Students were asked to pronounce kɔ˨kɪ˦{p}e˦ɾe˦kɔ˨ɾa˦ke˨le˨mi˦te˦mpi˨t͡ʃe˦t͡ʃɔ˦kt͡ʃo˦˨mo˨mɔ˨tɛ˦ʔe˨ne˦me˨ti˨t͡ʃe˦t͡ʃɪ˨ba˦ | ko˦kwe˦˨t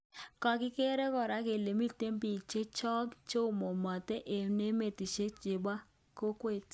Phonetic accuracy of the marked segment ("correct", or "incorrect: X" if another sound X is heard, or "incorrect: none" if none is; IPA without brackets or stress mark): incorrect: k